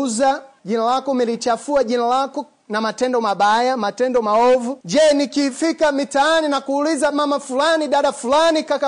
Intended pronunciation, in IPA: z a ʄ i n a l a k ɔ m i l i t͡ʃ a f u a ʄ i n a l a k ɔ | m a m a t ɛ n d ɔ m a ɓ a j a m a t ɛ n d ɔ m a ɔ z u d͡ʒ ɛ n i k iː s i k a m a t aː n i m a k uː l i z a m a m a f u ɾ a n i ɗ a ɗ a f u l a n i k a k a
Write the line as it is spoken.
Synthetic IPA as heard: z a ʄ i n a l a k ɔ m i l i t͡ʃ a f u a ʄ i n a l a k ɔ | n a m a t ɛ n d ɔ m a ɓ a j a m a t ɛ n d ɔ m a ɔ v u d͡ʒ ɛ n i k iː f i k a m i t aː n i n a k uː l i z a m a m a f u l a n i ɗ a ɗ a f u l a n i k a k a